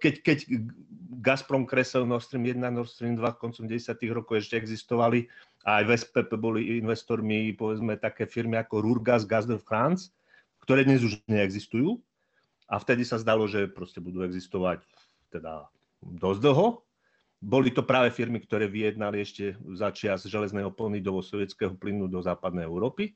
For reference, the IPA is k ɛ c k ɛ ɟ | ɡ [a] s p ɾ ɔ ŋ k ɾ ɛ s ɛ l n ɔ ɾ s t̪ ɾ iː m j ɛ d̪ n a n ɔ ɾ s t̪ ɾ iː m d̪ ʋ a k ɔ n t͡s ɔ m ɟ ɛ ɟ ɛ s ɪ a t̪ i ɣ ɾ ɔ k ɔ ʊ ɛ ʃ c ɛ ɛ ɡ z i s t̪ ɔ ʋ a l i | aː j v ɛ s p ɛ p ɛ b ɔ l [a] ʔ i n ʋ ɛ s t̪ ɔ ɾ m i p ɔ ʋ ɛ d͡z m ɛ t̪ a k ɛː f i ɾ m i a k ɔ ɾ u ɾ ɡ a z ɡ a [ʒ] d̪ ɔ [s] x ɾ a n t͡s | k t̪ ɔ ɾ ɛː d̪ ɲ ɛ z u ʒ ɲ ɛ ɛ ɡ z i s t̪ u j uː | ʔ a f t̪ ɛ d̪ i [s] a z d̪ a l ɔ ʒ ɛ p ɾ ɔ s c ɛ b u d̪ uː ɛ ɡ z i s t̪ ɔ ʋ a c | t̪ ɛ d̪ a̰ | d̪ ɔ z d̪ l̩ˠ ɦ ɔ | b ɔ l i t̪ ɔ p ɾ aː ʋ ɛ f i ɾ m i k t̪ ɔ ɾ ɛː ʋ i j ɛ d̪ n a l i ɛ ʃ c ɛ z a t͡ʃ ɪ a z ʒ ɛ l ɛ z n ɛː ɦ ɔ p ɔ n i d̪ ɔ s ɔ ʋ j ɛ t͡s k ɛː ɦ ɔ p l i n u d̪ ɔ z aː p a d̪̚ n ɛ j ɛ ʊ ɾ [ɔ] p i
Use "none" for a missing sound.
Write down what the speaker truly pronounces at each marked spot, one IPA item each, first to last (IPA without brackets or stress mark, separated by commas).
a, i, z, f, s, ɔː